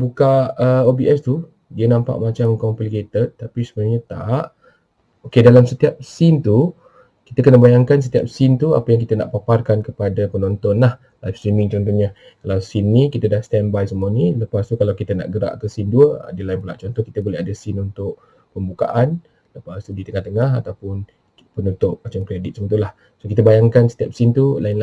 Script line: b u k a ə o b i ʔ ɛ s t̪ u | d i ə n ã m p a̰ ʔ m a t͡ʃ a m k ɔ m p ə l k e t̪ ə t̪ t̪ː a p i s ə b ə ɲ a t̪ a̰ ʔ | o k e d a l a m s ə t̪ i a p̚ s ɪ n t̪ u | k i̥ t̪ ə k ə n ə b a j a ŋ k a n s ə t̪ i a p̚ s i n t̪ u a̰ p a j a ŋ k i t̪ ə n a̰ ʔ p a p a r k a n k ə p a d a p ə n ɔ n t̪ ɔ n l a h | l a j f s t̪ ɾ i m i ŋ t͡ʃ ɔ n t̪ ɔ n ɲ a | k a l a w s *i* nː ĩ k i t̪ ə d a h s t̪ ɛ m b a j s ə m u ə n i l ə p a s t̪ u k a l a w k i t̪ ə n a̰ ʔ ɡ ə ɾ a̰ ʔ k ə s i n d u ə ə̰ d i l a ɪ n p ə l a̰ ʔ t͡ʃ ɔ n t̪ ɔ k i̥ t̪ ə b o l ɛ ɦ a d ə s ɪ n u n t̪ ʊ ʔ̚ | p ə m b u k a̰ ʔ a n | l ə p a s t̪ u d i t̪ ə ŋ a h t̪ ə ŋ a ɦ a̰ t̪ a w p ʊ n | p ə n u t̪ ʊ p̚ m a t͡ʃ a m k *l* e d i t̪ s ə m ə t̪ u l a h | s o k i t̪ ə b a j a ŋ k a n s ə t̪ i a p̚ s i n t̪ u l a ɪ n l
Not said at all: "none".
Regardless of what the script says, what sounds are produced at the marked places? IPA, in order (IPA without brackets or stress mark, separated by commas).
i, ɾ